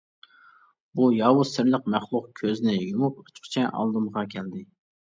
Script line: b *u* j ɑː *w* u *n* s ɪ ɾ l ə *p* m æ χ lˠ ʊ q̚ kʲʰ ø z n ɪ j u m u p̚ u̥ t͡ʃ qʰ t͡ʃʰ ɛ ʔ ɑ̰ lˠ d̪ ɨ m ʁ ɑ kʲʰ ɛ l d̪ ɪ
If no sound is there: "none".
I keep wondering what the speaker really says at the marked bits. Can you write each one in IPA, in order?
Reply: u, w, none, q

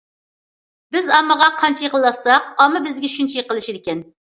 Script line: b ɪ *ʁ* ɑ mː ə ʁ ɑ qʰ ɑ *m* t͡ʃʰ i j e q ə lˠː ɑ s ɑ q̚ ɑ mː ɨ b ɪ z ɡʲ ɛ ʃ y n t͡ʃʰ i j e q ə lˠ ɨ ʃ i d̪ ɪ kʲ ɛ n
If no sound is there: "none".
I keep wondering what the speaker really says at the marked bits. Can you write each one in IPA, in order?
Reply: z, n

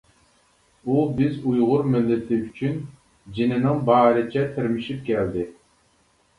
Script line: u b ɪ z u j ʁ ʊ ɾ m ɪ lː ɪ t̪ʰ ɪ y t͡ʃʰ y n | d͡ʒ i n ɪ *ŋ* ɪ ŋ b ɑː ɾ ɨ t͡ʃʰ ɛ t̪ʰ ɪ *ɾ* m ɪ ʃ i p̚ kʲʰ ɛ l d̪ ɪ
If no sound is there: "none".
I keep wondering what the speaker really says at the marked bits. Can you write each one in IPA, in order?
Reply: n, ɾ

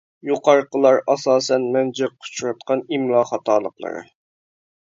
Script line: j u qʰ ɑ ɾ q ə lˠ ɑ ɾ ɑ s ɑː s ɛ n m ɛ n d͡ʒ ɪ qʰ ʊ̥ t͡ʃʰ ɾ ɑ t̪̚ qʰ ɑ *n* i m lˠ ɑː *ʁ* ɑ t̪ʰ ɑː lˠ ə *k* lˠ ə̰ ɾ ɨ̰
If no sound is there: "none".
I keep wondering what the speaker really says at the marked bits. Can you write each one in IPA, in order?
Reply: n, χ, q

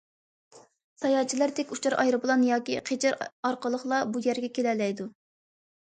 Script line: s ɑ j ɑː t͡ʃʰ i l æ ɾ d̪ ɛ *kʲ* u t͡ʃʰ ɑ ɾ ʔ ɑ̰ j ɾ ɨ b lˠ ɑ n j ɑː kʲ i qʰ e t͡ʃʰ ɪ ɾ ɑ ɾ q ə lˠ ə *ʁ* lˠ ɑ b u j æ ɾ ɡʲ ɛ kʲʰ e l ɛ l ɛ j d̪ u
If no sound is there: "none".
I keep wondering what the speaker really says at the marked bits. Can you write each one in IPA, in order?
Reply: kʲ, χ

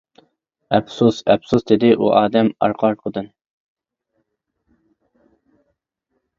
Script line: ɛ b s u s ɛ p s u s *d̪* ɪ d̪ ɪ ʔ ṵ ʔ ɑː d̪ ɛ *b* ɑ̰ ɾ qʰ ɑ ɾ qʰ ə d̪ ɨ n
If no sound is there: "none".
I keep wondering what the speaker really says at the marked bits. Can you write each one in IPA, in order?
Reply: d̪, m

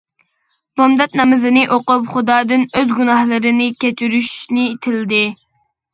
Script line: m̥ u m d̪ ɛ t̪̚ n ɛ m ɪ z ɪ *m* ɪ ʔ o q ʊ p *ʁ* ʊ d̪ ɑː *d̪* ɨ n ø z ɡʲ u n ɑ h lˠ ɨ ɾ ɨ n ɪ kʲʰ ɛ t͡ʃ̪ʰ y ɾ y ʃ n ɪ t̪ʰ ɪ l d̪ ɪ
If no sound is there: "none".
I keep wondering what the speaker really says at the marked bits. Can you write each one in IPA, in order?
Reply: n, χ, d̪

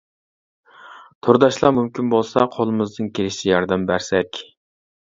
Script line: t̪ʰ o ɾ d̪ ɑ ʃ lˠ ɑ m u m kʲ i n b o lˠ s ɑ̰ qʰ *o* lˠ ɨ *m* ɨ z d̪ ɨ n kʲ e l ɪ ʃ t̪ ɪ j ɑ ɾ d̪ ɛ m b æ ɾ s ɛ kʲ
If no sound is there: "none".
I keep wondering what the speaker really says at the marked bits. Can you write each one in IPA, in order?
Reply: o, m

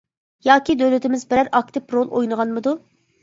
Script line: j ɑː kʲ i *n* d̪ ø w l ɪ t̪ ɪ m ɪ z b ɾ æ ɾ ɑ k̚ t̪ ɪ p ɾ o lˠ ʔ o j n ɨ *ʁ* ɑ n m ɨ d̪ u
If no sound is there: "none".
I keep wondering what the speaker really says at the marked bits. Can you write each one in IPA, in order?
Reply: none, ʁ

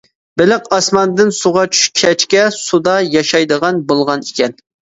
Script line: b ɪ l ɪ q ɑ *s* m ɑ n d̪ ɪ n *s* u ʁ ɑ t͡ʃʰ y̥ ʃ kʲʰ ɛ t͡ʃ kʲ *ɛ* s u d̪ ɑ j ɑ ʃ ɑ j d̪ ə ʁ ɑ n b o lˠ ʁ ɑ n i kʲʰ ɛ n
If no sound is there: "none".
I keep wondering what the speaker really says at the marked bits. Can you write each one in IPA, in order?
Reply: s, s, ɛ

